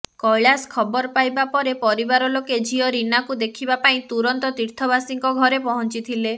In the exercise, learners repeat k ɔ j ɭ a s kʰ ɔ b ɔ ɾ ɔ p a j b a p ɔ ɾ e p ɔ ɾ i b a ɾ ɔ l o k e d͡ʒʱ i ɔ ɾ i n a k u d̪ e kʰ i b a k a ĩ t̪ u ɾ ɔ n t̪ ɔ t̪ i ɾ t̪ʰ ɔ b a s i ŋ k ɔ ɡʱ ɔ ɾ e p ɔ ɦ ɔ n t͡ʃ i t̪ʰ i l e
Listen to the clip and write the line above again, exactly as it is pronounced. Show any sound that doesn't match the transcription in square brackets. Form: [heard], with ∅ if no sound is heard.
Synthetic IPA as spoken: k ɔ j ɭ a s kʰ ɔ b ɔ ɾ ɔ p a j b a p ɔ ɾ e p ɔ ɾ i b a ɾ ɔ l o k e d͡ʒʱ i ɔ ɾ i n a k u d̪ e kʰ i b a [p] a ĩ t̪ u ɾ ɔ n t̪ ɔ t̪ i ɾ t̪ʰ ɔ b a s i ŋ k ɔ ɡʱ ɔ ɾ e p ɔ ɦ ɔ n t͡ʃ i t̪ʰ i l e